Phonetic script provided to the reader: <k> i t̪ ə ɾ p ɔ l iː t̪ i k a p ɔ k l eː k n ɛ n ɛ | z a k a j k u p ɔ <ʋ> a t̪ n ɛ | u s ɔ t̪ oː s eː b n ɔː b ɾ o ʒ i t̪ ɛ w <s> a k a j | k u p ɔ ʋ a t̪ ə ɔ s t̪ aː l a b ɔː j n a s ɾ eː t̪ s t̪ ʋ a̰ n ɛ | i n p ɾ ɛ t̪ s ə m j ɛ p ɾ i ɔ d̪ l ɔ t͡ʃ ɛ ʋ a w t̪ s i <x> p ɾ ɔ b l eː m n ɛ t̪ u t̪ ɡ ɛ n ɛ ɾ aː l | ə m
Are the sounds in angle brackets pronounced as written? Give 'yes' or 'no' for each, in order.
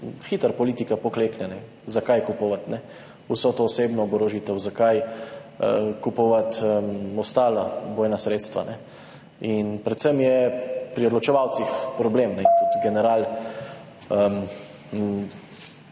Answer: no, yes, no, yes

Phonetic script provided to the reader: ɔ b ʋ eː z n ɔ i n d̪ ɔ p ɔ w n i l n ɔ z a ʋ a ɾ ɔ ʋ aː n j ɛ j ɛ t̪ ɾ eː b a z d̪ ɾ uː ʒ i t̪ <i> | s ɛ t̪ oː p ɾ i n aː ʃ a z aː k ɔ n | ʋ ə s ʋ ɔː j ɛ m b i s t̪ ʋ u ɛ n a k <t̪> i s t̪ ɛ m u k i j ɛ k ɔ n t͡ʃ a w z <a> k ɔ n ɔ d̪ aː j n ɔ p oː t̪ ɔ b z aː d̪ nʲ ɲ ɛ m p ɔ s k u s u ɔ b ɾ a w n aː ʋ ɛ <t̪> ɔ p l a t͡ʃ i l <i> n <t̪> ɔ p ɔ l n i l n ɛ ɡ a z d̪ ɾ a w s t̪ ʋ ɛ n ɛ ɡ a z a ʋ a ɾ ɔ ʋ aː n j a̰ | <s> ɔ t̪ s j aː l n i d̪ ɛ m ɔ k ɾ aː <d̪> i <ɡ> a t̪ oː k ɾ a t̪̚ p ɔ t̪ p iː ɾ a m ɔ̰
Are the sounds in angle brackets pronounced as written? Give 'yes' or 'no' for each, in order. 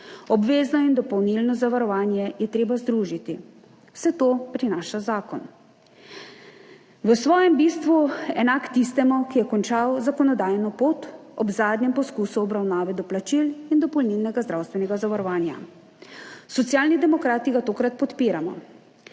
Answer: yes, yes, yes, no, yes, no, yes, no, yes

